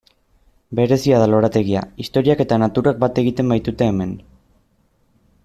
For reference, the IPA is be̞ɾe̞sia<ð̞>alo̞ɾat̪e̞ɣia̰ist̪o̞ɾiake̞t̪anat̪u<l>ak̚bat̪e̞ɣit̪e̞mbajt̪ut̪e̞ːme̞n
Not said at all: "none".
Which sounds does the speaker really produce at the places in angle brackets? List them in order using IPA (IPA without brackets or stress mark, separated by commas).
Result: ð̞, ɾ